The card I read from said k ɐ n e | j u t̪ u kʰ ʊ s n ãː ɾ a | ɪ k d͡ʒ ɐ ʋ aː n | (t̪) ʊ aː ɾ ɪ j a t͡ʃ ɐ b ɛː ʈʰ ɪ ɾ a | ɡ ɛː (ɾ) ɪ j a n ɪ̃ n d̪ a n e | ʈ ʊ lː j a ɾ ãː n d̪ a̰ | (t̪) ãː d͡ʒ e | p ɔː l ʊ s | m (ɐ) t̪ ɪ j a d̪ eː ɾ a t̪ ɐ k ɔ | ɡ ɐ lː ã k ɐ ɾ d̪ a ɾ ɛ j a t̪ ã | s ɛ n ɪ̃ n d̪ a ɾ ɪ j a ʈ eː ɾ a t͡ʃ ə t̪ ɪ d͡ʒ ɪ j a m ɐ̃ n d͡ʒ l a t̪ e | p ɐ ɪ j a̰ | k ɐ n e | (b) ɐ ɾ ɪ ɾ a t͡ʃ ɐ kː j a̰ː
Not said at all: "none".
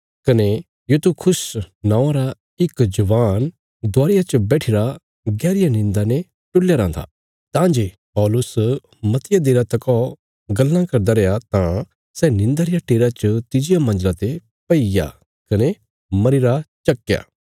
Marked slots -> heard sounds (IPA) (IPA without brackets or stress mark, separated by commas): d̪, ɾ, t̪, ɐ, m